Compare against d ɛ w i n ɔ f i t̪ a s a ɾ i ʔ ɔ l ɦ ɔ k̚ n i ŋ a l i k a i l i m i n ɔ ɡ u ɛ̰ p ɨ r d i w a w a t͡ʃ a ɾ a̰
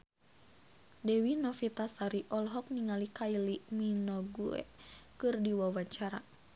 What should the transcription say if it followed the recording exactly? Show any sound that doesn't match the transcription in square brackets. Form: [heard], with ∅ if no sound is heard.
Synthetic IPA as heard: d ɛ w i n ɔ f i t̪ a s a ɾ i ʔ ɔ l ɦ ɔ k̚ n i ŋ a l i k a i l i m i n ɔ ɡ u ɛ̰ [k] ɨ r d i w a w a t͡ʃ a ɾ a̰